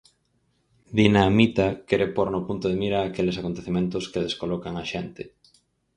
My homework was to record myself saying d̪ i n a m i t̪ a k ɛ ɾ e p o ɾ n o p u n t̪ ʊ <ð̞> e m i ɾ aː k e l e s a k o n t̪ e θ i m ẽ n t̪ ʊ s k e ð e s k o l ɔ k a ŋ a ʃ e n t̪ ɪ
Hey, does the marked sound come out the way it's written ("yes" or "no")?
yes